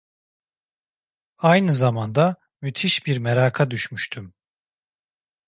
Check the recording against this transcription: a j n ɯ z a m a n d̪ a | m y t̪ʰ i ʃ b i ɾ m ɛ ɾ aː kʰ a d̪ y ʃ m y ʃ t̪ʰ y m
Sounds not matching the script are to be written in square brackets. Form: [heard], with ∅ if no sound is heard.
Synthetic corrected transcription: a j n ɯ z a m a n d̪ a | m y t̪ʰ i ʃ b i ɾ m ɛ ɾ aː kʰ a d̪ y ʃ m y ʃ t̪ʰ y m